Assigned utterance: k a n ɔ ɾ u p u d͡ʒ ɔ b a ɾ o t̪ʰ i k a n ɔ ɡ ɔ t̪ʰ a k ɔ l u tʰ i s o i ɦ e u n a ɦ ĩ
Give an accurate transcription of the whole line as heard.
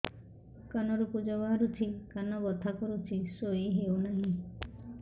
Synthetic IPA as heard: k a n ɔ ɾ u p u d͡ʒ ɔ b a ɾ u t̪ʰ i k a n ɔ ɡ ɔ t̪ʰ a k ɔ ɾ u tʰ i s o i ɦ e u n a ɦ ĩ

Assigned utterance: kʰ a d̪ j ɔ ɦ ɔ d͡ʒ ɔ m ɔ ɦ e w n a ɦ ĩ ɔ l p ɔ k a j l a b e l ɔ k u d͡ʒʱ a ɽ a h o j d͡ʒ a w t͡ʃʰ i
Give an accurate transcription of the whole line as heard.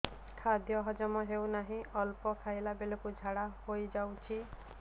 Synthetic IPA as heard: kʰ a d̪ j ɔ ɦ ɔ d͡ʒ ɔ m ɔ ɦ e w n a ɦ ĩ ɔ l p ɔ kʰ a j l a b e l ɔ k u d͡ʒʱ a ɽ a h o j d͡ʒ a w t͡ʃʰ i

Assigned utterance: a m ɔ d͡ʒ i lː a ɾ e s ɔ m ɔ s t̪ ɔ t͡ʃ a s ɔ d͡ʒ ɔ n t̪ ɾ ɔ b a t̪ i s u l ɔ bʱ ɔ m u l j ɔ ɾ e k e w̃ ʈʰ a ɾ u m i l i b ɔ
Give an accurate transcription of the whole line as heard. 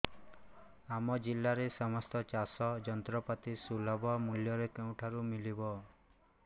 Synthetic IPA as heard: a m ɔ d͡ʒ i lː a ɾ e s ɔ m ɔ s t̪ ɔ t͡ʃ a s ɔ d͡ʒ ɔ n t̪ ɾ ɔ p a t̪ i s u l ɔ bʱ ɔ m u l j ɔ ɾ e k e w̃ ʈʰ a ɾ u m i l i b ɔ

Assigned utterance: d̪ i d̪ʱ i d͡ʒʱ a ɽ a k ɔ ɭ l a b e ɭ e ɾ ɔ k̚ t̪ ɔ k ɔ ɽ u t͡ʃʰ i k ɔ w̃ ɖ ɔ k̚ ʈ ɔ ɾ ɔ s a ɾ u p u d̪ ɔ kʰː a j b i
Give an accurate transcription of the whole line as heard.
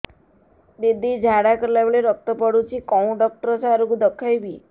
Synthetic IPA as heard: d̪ i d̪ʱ i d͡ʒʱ a ɽ a k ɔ ɾ l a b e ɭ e ɾ ɔ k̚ t̪ ɔ p ɔ ɽ u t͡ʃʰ i k ɔ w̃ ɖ ɔ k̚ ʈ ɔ ɾ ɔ s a ɾ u k u d̪ ɔ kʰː a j b i

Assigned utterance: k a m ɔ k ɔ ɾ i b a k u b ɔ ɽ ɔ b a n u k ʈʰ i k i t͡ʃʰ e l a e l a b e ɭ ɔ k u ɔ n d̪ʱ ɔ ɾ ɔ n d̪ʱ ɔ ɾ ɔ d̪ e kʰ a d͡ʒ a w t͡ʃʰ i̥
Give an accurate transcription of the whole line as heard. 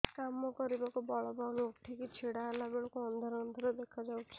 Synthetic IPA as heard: k a m ɔ k ɔ ɾ i b a k u b ɔ ɭ ɔ b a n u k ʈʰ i k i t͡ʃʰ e ɽ a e l a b e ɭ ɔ k u ɔ n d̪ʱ ɔ ɾ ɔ n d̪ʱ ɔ ɾ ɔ d̪ e kʰ a d͡ʒ a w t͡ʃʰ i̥

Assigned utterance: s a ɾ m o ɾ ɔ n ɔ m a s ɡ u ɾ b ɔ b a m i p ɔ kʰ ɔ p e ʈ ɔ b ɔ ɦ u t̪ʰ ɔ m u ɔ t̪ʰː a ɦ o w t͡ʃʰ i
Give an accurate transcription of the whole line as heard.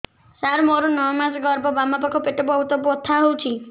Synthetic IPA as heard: s a ɾ m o ɾ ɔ n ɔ m a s ɡ ɔ ɾ b ɔ b a m a p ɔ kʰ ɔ p e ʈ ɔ b ɔ ɦ u t̪ ɔ b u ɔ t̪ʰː a ɦ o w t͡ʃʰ i

